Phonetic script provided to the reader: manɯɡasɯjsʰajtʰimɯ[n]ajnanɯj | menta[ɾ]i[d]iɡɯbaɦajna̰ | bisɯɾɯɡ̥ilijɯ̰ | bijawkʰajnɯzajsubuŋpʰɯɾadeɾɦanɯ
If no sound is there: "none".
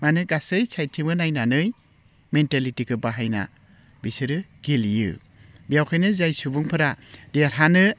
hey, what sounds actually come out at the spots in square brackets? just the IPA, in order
n, l, t

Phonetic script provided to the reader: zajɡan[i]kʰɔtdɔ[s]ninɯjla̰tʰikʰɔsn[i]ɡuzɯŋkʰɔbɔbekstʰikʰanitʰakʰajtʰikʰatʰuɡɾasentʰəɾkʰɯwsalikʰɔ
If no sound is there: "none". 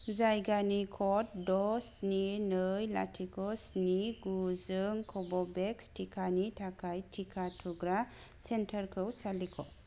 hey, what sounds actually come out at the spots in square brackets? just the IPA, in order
i, s, i

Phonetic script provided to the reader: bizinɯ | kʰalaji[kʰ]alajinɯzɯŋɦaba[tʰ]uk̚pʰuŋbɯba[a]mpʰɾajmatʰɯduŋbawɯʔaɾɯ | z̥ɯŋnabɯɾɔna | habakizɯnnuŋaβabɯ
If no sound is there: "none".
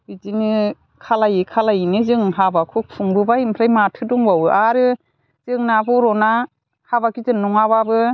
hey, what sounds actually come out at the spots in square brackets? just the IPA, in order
kʰ, kʰ, i

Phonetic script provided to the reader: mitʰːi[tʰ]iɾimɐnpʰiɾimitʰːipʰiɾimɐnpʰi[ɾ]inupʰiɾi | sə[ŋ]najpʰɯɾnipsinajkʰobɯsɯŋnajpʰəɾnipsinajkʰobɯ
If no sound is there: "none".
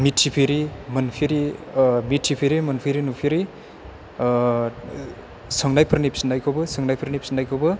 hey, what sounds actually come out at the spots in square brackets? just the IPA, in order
pʰ, ɾ, ŋ

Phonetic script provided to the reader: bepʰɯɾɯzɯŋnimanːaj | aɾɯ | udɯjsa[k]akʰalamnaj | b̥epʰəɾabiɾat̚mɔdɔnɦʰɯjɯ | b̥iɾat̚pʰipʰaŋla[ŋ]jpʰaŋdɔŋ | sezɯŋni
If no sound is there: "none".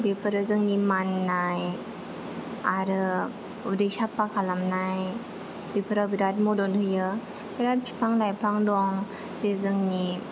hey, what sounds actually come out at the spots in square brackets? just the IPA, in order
p, none

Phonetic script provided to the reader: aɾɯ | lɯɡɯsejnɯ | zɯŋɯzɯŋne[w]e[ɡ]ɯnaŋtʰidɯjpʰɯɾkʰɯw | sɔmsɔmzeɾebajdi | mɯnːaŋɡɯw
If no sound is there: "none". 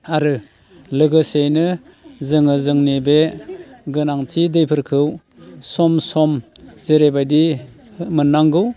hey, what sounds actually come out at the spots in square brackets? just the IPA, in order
b, ɡ

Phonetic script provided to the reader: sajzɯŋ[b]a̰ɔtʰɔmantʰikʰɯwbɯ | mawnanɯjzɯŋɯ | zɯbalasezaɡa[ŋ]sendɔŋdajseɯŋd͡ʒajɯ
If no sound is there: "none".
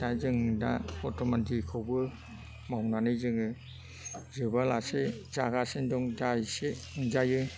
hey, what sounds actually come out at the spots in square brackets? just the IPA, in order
d, none

